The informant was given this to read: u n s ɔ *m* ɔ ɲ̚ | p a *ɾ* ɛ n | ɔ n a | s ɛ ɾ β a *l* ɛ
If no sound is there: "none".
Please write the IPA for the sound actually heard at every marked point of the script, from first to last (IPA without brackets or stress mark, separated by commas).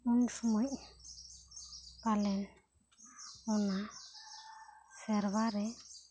m, l, ɾ